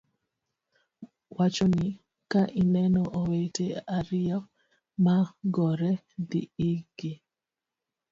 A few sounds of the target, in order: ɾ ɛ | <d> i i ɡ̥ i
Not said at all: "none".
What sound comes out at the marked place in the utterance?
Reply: d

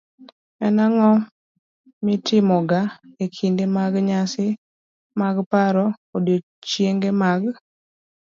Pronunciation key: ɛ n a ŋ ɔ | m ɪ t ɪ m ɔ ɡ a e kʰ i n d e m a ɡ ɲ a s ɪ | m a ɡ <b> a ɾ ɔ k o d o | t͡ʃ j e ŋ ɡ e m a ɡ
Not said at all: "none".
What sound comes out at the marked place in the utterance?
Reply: p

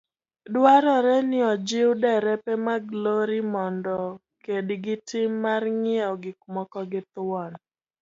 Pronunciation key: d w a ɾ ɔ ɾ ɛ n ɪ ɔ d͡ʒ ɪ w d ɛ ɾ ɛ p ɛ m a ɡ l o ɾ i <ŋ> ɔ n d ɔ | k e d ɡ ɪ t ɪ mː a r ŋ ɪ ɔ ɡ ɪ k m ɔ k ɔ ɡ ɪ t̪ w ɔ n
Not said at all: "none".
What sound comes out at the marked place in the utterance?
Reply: m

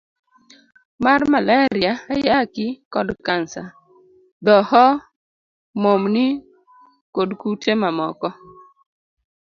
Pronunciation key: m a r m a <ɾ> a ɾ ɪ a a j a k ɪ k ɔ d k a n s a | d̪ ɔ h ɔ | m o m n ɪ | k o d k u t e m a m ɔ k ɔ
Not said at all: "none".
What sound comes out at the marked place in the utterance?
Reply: l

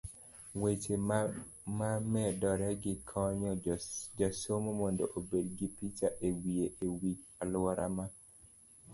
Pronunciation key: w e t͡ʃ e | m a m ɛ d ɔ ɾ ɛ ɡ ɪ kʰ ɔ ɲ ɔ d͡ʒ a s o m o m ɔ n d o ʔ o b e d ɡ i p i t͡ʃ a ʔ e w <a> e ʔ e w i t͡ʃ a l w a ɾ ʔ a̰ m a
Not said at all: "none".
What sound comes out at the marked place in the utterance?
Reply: i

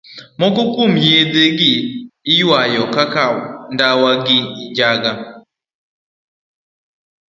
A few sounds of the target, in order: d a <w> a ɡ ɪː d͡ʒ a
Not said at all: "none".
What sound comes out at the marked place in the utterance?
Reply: w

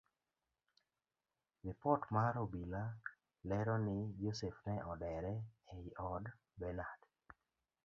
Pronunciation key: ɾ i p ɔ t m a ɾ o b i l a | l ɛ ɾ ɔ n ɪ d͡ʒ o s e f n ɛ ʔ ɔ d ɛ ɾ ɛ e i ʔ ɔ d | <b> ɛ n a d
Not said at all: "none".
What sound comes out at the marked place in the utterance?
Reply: b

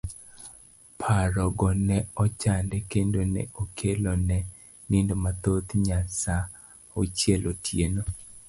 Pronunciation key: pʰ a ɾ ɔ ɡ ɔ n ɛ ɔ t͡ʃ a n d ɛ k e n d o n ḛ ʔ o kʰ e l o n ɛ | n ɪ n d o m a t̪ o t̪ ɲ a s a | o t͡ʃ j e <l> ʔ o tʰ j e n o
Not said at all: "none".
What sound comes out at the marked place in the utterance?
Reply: l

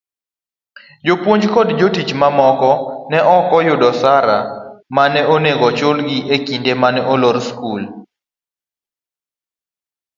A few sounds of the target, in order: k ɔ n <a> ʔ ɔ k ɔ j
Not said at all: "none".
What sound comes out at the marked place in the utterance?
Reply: ɛ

